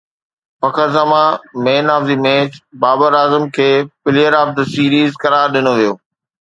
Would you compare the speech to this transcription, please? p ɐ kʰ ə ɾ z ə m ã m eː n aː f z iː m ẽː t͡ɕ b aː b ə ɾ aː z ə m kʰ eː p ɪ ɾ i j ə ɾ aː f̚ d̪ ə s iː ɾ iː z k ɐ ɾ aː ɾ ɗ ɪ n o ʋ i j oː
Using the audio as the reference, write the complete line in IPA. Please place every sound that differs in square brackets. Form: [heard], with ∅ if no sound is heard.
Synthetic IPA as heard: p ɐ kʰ ə ɾ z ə m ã m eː n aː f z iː m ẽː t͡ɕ b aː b ə ɾ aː z ə m kʰ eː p ɪ [l] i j ə ɾ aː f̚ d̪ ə s iː ɾ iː z k ɐ ɾ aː ɾ ɗ ɪ n o ʋ i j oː